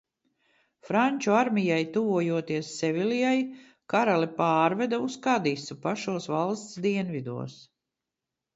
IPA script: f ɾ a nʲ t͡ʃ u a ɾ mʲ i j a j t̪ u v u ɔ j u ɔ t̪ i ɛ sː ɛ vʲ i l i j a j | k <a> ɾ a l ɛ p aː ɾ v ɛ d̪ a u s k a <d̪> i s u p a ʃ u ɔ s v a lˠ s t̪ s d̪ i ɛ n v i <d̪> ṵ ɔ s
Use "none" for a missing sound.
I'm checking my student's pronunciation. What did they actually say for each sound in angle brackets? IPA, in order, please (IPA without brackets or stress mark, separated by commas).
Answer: a, d̪, d̪